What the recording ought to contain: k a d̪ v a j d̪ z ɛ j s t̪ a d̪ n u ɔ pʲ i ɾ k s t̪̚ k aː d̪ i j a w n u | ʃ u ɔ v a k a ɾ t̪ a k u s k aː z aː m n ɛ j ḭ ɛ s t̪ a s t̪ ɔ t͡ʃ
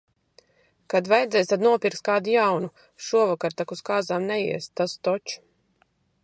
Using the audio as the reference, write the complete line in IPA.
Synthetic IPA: k a d̪ v a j d̪ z ɛ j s t̪ a d̪ n u ɔ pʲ i ɾ k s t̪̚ k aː d̪ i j a w n u | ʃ u ɔ v a k a ɾ t̪ a k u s k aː z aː m n ɛ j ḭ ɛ s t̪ a s t̪ ɔ t͡ʃ